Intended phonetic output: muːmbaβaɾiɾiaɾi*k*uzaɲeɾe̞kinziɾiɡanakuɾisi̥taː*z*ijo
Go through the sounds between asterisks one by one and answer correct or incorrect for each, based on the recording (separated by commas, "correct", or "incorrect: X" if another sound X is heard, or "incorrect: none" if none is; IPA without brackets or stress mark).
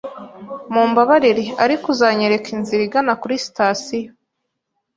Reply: correct, incorrect: s